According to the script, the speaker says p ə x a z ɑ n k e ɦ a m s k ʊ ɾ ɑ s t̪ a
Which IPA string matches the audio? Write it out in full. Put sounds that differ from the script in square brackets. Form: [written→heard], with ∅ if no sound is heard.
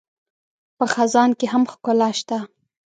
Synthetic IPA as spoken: p ə x a z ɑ n k e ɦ a m [s→x] k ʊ [ɾ→l] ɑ [s→ʃ] t̪ a